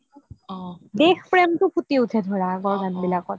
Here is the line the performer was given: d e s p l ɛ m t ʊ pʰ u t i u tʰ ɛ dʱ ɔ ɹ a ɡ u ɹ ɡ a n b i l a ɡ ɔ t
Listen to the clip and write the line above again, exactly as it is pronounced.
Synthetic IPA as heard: d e x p ɹ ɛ m t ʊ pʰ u t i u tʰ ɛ dʱ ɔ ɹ a ɡ ɔ ɹ ɡ a n b i l a k ɔ t